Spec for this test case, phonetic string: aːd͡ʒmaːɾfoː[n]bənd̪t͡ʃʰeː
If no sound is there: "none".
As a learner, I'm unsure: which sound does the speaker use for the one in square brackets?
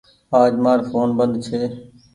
n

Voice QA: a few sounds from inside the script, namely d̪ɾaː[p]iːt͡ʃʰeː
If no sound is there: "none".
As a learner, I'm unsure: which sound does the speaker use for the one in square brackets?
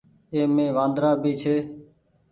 b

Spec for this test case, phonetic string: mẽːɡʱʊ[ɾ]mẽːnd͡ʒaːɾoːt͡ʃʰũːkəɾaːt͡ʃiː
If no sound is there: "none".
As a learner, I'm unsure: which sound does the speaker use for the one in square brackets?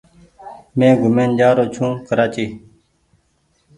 none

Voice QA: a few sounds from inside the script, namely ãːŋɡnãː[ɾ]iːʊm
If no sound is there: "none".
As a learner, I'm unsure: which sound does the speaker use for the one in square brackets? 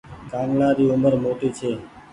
ɾ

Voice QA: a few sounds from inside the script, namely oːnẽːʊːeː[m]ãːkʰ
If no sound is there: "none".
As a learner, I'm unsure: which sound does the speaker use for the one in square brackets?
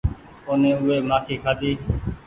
m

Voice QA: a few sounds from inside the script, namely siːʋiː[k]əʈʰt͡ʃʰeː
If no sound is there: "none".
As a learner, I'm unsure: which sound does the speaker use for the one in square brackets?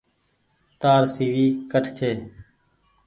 k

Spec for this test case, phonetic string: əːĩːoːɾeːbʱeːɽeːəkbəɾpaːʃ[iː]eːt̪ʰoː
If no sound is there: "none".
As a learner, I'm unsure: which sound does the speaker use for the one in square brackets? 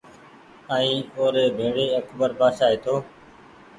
aː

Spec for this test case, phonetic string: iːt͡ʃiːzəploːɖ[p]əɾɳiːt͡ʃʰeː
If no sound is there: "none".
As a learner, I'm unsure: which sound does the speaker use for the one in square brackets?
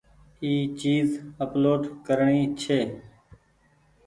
k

